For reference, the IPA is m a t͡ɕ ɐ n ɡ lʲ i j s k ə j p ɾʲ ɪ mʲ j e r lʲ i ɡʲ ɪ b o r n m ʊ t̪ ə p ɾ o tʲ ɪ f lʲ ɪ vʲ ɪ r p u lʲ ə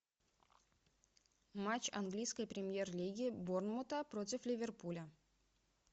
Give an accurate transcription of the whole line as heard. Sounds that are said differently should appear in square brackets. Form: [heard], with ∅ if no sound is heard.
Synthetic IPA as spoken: m a t͡ɕ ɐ n ɡ lʲ i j s k ə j p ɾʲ ɪ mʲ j e r lʲ i ɡʲ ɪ b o r n m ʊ t̪ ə p ɾ o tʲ ɪ f lʲ ɪ vʲ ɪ r p u lʲ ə